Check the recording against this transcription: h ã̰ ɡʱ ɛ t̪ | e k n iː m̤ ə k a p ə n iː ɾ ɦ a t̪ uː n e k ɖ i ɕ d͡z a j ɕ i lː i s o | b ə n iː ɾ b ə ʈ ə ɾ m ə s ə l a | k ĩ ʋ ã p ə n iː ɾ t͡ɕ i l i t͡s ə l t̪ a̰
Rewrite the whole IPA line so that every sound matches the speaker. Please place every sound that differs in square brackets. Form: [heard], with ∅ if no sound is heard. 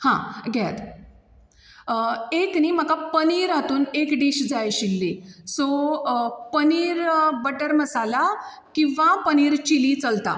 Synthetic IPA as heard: h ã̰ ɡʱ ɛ t̪ | e k n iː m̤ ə k a p ə n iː ɾ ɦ a t̪ uː n e k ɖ i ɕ d͡z a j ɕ i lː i s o | [p] ə n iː ɾ b ə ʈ ə ɾ m ə s [a] l a | k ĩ ʋ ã p ə n iː ɾ t͡ɕ i l i t͡s ə l t̪ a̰